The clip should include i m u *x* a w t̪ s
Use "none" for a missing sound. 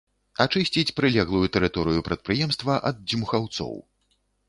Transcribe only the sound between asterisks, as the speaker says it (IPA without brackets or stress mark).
x